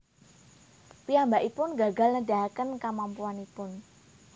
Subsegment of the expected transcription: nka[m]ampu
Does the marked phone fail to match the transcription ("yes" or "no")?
no